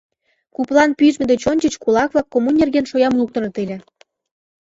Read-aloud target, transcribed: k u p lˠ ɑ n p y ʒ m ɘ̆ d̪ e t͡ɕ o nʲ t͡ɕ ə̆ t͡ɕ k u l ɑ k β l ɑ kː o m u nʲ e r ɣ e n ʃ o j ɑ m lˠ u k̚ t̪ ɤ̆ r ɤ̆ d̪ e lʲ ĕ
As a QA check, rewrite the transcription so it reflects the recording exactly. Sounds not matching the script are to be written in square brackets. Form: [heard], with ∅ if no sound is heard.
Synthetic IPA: k u p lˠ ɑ n p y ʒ m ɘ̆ d̪ e t͡ɕ o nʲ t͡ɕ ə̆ t͡ɕ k u l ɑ k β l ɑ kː o m u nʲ e r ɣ e n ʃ o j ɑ m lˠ u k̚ t̪ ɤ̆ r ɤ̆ [t̪] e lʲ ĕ